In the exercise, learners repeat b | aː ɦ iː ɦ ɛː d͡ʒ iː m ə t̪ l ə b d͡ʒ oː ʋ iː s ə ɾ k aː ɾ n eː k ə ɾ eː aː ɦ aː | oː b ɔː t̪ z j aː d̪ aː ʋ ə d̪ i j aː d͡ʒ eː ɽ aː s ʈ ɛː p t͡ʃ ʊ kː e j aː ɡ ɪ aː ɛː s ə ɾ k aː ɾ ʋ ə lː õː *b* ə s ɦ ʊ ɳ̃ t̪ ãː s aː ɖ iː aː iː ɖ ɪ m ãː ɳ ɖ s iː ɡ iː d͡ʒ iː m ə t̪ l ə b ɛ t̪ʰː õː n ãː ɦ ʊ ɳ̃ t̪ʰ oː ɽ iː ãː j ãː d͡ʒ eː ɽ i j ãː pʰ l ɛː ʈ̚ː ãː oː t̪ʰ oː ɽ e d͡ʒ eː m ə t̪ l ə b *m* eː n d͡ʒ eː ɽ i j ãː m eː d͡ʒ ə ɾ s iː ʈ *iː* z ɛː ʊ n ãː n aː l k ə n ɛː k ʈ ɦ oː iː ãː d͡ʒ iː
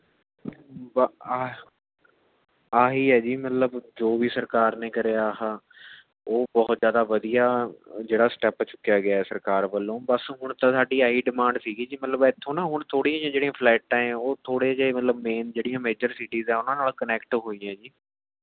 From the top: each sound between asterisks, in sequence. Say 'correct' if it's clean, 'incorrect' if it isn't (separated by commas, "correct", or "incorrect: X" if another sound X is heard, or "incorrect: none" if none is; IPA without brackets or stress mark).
correct, correct, correct